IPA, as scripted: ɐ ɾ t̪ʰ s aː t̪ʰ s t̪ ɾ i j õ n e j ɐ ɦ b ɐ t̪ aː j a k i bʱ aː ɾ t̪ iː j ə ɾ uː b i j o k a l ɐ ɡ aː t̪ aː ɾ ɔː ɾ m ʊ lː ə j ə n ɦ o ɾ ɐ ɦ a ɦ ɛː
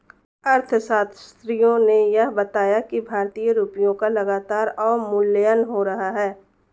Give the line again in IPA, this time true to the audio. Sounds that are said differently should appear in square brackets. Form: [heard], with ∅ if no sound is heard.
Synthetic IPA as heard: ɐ ɾ t̪ʰ s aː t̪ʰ s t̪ ɾ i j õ n e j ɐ ɦ b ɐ t̪ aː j a k i bʱ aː ɾ t̪ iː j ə ɾ uː [p] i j [õ] k a l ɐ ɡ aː t̪ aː ɾ ɔː ɾ m ʊ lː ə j ə n ɦ o ɾ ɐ ɦ a ɦ ɛː